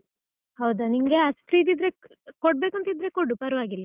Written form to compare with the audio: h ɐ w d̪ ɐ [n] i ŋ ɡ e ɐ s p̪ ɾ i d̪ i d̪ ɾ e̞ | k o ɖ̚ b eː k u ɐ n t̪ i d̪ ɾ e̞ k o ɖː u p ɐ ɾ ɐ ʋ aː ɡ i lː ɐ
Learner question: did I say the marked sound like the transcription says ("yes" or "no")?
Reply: yes